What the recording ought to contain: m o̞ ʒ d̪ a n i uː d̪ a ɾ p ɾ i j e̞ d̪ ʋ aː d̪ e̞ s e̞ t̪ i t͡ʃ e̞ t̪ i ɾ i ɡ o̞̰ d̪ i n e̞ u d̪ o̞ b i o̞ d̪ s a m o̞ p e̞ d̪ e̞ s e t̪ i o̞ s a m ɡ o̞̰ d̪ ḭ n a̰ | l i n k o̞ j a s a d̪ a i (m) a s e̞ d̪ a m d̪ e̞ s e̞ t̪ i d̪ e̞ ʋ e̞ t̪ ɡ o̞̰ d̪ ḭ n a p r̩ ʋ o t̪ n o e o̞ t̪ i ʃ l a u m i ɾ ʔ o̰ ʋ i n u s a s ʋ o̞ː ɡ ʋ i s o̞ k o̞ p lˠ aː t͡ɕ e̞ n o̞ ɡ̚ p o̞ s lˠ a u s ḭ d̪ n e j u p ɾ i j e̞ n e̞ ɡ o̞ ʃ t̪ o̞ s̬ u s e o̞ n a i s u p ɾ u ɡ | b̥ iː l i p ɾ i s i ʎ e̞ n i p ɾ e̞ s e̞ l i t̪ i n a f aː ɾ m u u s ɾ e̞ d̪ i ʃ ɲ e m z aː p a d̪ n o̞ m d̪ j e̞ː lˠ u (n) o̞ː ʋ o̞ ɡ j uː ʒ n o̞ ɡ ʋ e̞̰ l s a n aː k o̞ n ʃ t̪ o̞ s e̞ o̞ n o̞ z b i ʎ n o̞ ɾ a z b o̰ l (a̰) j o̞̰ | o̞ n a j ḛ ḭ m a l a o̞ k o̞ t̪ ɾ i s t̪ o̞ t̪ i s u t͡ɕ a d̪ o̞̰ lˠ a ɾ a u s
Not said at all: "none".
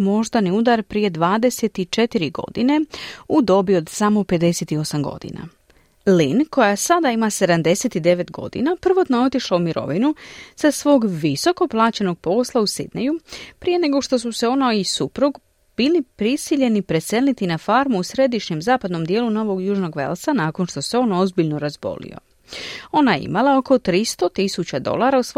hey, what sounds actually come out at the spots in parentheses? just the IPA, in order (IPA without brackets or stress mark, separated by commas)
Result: m, n, ḭ